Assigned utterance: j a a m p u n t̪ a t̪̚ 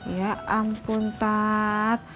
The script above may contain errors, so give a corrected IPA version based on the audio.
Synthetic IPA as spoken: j a a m p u n t̪ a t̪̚